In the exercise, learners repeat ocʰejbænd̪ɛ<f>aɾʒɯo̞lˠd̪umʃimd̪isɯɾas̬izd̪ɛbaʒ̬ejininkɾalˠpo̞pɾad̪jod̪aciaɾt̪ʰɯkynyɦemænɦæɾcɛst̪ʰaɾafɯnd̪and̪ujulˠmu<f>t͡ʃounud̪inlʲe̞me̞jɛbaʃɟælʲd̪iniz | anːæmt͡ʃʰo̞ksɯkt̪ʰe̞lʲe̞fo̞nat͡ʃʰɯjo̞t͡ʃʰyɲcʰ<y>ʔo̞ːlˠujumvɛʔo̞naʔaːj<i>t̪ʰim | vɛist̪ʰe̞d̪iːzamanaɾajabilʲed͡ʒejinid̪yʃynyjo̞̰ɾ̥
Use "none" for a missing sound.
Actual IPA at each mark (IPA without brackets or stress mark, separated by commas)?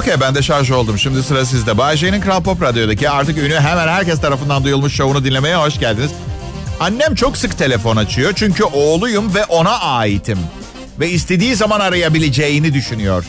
ʃ, ʃ, y, i